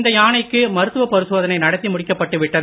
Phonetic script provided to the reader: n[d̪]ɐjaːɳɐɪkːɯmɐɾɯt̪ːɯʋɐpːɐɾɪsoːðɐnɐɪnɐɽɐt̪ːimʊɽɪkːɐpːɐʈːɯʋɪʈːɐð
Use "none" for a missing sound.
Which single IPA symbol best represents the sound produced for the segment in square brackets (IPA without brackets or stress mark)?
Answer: d̪